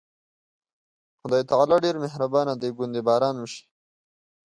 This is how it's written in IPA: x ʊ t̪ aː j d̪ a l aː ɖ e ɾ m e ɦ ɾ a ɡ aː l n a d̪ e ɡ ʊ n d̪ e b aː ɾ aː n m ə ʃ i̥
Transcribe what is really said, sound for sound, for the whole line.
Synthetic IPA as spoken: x ʊ d̪ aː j t̪ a l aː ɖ e ɾ m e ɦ ɾ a b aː n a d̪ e ɡ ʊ n d̪ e b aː ɾ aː n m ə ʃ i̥